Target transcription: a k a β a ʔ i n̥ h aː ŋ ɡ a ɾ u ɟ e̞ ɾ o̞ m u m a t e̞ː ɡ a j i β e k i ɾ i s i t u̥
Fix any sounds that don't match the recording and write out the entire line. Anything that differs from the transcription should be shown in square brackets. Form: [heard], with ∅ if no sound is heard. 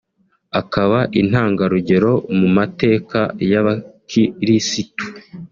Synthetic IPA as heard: a k a β a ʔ i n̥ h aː ŋ ɡ a ɾ u ɟ e̞ ɾ o̞ m u m a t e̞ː [k] a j [a] β [a] k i ɾ i s i t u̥